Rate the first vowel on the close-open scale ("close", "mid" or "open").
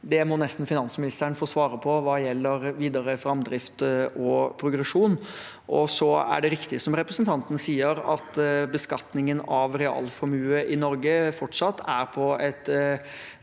mid